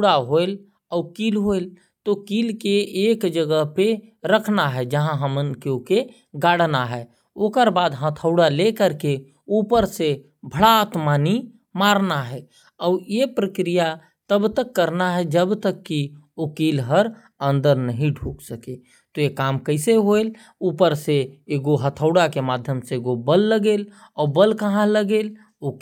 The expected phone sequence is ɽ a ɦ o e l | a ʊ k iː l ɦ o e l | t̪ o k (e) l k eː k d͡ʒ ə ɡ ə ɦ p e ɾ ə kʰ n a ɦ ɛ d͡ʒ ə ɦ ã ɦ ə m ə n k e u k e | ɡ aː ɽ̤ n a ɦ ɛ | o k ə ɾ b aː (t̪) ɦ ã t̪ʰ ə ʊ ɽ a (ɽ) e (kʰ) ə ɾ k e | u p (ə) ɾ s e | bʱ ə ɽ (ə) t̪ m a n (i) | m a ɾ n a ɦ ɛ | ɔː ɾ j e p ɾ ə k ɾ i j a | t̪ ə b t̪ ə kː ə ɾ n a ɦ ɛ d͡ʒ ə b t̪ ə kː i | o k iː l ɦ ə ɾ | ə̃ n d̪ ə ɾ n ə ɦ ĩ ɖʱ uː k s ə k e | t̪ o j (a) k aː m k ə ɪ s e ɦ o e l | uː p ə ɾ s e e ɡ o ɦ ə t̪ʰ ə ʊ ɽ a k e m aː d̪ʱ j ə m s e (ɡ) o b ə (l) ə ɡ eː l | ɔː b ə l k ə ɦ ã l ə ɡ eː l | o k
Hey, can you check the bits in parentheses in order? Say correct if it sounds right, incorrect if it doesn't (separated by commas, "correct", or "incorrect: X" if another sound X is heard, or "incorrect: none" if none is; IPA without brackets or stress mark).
incorrect: i, incorrect: d̪, incorrect: l, incorrect: k, correct, incorrect: a, correct, incorrect: e, correct, incorrect: lː